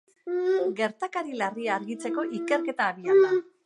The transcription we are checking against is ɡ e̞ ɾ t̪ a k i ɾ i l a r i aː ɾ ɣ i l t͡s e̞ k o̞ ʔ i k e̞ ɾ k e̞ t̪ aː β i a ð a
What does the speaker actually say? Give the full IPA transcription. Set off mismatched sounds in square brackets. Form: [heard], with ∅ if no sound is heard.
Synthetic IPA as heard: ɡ e̞ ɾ t̪ a k [a] ɾ i l a r i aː ɾ ɣ i [∅] t͡s e̞ k o̞ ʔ i k e̞ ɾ k e̞ t̪ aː β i a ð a